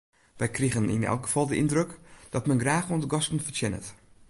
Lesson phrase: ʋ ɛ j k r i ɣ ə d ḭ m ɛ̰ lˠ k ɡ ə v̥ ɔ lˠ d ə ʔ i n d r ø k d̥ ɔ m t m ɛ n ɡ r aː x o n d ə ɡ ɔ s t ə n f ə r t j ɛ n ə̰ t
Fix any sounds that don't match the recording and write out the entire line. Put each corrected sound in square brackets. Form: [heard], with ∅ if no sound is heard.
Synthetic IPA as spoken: ʋ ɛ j k r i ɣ ə [n] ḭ [n] ɛ̰ lˠ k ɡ ə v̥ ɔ lˠ d ə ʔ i n d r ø k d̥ ɔ [∅] t m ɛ n ɡ r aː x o n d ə ɡ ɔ s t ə n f ə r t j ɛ n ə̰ t

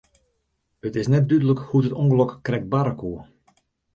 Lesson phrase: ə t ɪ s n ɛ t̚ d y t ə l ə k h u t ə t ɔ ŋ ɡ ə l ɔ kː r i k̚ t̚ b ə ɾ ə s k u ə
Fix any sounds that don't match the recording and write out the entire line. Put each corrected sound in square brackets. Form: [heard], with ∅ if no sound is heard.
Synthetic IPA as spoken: ə t ɪ s n ɛ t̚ d y [d] ə l ə k h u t ə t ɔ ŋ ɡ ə l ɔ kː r [ɛ] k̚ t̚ b [a] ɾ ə [∅] k u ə

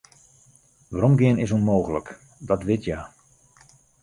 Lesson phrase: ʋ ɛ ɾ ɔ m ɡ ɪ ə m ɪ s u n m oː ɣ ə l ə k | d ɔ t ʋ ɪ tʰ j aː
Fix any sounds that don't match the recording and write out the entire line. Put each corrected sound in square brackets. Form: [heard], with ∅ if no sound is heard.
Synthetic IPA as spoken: ʋ [a] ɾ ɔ m ɡ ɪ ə [n] ɪ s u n m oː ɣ ə l ə k | d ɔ t ʋ ɪ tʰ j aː

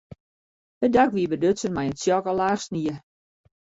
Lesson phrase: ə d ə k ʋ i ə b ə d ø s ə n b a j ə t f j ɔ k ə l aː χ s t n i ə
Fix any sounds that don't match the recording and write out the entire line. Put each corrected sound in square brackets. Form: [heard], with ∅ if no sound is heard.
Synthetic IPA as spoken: ə d [a] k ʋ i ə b ə d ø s ə n [m] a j ə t [s] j ɔ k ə l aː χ s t n i ə

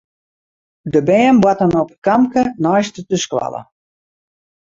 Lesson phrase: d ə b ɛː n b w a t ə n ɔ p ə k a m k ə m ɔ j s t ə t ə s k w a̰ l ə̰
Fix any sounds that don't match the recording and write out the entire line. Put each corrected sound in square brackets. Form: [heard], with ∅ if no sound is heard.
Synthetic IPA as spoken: d ə b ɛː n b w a t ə n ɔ p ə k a m k ə [n] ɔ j s t ə t ə s k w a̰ l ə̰

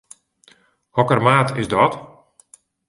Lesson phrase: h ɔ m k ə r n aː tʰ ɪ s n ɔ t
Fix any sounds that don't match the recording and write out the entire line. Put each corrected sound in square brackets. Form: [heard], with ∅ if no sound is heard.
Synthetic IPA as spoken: h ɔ [∅] k ə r [m] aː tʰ ɪ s [d] ɔ t

